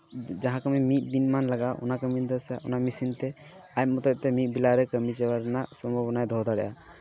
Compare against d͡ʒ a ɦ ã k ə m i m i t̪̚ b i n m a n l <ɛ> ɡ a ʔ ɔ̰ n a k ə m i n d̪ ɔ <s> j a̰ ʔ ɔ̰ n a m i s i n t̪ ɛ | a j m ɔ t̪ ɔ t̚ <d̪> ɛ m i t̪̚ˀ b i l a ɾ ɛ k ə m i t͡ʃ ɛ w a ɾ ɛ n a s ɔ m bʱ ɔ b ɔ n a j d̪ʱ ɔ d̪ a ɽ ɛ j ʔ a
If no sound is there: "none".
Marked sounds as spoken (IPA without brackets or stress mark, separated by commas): a, s, t̪